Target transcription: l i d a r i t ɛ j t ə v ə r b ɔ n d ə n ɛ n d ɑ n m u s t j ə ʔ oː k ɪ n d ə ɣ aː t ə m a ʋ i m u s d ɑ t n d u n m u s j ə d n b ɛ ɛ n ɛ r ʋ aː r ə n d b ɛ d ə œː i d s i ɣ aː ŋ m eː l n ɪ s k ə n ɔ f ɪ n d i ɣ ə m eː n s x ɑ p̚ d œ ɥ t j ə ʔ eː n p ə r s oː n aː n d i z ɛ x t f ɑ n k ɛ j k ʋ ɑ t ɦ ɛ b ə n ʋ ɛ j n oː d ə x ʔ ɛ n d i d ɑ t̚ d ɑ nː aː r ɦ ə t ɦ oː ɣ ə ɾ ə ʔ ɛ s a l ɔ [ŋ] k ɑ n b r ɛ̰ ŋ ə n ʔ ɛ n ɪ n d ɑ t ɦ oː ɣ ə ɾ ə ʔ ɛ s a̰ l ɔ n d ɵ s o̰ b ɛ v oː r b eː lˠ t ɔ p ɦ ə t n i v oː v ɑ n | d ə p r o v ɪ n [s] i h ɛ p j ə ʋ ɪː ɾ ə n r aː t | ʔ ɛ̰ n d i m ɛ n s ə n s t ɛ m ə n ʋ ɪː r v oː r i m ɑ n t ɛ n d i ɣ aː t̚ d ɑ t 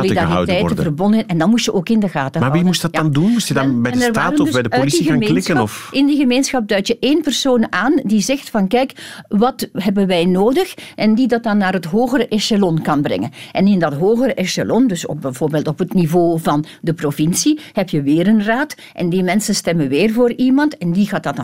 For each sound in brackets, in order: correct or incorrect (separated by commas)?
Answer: incorrect, correct